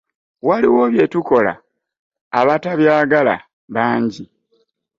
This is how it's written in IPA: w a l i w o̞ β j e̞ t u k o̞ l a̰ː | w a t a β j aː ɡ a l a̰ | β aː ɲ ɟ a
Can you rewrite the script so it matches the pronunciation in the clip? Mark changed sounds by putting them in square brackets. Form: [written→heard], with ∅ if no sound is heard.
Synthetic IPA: w a l i w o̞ β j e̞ t u k o̞ l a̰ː | [w→β] a t a β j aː ɡ a l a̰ | β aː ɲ ɟ [a→i]

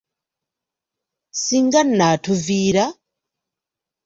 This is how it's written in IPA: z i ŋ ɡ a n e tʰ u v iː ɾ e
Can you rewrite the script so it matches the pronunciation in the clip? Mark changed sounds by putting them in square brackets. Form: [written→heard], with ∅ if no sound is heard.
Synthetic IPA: [z→s] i ŋ ɡ a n [e→a] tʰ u v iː ɾ [e→a]

